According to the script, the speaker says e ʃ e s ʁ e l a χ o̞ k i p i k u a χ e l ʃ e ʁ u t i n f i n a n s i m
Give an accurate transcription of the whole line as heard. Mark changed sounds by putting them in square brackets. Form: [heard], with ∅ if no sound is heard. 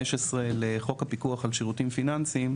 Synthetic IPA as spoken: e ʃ e s ʁ e l [e] χ o̞ k [a] p i k u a χ [a] l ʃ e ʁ u t i [m] f i n a n s i m